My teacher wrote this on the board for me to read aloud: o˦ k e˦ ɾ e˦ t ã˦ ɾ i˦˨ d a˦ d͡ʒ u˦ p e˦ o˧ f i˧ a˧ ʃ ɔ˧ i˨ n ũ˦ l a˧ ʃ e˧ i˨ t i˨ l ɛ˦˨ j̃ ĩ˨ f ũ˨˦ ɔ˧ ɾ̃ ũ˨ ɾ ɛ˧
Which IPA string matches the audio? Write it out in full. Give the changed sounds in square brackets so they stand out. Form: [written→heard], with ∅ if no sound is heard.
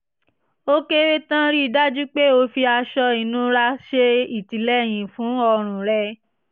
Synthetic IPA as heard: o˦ k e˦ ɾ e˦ t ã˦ ɾ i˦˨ d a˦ d͡ʒ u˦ [p→k͡p] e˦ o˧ f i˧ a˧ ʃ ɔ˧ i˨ n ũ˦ [l→ɾ] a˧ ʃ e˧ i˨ t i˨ l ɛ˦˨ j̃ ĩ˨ f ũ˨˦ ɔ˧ ɾ̃ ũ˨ ɾ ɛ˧